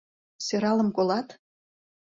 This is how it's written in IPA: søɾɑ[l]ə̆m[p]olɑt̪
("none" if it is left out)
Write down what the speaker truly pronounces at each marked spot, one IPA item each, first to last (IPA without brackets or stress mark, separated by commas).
l, k